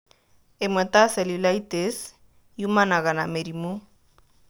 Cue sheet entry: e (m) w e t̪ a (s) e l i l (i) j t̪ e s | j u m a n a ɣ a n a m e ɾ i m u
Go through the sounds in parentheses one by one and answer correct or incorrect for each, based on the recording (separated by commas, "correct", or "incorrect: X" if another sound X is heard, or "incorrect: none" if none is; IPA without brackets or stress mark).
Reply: correct, correct, incorrect: a